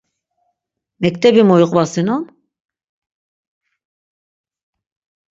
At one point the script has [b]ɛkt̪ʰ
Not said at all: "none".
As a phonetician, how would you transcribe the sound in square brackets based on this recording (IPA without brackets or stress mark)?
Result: m